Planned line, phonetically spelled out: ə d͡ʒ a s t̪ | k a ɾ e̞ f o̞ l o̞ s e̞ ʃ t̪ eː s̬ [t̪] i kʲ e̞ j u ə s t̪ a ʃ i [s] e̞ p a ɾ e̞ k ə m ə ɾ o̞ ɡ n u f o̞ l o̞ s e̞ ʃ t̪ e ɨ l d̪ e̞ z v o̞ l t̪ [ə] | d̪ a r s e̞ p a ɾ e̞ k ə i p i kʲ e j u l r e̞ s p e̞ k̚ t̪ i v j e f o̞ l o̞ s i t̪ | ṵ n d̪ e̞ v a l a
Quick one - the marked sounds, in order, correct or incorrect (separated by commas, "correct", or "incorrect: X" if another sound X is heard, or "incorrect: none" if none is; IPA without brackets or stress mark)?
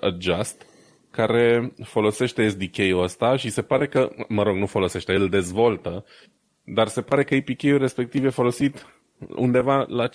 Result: incorrect: d̪, correct, correct